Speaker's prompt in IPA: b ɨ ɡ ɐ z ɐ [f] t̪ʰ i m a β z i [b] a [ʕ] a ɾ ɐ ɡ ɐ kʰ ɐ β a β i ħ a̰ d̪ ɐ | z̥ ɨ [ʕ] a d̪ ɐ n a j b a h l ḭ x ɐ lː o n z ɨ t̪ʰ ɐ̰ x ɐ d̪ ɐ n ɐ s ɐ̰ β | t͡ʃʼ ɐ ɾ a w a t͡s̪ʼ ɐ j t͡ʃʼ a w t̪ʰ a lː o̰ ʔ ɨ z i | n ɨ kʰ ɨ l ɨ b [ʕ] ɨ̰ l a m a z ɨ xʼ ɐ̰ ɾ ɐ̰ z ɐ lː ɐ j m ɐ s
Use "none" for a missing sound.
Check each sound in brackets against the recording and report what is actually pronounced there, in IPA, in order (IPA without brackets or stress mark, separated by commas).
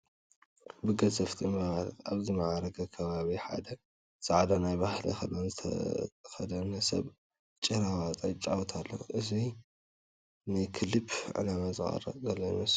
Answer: f, m, ʕ, ʕ, ʕ